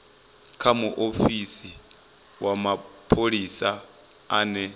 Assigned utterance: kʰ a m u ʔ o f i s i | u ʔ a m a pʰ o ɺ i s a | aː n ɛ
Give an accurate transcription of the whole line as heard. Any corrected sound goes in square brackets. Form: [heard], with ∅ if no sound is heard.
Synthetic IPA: kʰ a m u ʔ o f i s i | [w] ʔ a m a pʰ o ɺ i s a | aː n ɛ